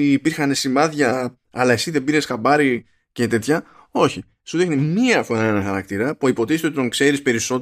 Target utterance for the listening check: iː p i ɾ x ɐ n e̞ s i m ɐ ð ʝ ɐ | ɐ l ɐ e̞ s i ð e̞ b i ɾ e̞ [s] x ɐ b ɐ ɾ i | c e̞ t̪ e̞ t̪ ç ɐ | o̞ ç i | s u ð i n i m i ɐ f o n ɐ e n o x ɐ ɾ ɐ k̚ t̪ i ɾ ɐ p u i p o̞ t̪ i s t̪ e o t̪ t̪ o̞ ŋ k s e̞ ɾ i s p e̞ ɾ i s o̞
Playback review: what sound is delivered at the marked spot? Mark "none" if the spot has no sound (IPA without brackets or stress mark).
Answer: s